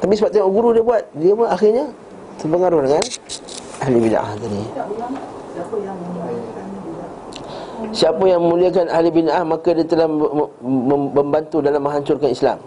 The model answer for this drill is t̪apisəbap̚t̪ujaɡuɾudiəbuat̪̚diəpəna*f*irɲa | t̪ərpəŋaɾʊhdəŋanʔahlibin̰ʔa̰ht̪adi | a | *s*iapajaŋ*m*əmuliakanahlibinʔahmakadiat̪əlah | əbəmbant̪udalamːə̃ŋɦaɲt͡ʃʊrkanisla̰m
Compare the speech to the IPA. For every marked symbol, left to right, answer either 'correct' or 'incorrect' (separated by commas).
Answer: incorrect, correct, correct